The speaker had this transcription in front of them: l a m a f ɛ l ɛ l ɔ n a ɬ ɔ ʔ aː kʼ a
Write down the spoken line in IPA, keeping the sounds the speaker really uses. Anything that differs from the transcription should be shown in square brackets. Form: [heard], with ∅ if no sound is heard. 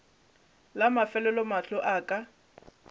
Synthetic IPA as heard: l a m a f ɛ l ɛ l ɔ [m] a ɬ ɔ ʔ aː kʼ a